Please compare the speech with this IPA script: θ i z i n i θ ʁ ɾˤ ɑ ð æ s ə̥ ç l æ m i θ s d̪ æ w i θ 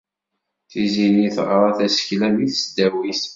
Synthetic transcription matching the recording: θ i z i n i θ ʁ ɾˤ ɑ θ æ s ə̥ ç l æ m i θ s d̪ æ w i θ